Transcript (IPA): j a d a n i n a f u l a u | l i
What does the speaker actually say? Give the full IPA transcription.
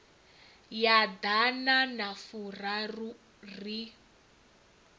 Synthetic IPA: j a d a n a n a f u r a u | r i